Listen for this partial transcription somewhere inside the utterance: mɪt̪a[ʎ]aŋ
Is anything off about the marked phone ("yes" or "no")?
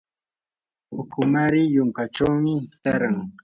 yes